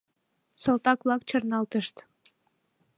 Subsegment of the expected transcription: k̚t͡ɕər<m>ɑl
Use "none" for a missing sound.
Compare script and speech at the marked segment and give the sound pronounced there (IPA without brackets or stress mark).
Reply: n